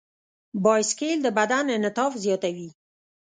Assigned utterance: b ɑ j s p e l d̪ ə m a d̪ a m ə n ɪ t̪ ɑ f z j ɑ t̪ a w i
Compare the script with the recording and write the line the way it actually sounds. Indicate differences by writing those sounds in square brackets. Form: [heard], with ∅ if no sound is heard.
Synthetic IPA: b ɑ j s [k] e l d̪ ə [b] a d̪ a [n] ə n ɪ t̪ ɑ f z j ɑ t̪ a w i